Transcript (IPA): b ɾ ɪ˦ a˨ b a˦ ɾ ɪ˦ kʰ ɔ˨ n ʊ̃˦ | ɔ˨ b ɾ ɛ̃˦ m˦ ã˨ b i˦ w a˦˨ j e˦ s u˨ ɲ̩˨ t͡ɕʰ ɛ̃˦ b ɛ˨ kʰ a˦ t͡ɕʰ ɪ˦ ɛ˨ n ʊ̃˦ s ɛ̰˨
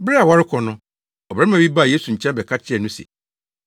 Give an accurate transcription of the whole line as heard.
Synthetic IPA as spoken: b ɾ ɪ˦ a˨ w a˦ ɾ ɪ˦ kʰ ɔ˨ n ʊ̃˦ | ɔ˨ b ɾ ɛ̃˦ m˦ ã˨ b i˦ b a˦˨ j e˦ s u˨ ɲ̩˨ t͡ɕʰ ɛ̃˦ b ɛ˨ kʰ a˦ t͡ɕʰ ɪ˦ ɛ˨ n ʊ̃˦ s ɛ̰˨